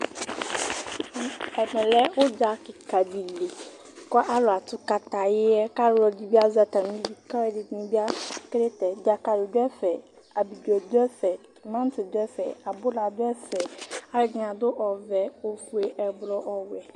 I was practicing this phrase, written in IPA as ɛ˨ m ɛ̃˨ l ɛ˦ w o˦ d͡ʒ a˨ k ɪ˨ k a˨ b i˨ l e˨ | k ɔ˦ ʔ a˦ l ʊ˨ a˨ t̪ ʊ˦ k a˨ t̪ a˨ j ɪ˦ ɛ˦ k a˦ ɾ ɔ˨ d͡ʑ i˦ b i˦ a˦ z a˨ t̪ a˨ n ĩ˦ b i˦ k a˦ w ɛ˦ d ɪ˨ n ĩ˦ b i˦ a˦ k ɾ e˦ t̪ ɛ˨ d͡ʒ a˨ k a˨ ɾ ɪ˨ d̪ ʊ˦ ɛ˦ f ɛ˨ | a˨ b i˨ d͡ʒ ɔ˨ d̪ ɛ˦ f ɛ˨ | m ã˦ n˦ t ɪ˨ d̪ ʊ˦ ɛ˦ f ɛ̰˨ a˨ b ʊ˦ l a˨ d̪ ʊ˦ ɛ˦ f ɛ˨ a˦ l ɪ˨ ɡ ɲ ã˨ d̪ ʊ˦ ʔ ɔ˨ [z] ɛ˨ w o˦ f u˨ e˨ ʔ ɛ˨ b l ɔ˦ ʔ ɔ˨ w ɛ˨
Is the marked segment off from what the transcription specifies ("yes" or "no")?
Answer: yes